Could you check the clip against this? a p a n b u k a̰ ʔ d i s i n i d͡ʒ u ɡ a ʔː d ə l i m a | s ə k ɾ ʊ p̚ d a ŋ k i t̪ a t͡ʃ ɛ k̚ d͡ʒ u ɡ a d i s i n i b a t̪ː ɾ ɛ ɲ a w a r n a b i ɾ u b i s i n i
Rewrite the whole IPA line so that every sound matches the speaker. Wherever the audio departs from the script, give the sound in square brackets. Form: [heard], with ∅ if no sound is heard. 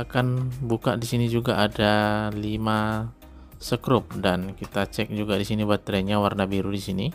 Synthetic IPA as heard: a [k] a n b u k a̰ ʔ d i s i n i d͡ʒ u ɡ a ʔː d [a] l i m a | s ə k ɾ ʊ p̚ d a [n] k i t̪ a t͡ʃ ɛ k̚ d͡ʒ u ɡ a d i s i n i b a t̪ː ɾ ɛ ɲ a w a r n a b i ɾ u [d] i s i n i